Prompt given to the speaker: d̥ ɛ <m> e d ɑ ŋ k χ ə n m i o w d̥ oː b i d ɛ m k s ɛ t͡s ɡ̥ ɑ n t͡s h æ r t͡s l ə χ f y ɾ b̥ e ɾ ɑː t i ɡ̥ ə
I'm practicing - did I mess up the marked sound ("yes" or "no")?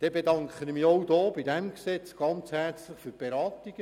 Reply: yes